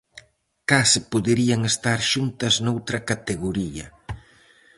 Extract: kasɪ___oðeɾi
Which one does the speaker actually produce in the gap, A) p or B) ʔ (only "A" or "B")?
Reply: A